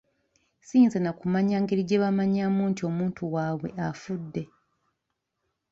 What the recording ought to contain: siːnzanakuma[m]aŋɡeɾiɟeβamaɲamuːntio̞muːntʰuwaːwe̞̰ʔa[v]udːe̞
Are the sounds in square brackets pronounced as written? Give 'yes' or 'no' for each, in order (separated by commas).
no, no